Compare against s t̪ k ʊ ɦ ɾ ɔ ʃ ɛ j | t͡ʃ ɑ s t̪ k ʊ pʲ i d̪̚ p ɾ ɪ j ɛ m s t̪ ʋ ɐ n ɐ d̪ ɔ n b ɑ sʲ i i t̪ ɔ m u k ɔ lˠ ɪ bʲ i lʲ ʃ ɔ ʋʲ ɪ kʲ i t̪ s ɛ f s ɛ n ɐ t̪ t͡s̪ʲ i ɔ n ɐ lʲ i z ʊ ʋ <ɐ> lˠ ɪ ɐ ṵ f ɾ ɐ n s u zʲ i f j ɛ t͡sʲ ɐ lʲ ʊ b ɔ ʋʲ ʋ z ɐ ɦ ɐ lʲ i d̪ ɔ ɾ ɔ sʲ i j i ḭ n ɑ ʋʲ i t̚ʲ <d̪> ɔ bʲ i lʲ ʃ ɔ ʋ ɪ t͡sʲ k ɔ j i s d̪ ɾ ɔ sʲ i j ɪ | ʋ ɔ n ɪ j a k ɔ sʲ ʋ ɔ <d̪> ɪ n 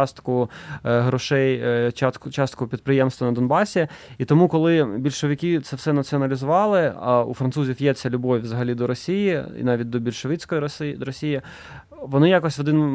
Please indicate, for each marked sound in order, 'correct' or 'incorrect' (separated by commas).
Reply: incorrect, correct, correct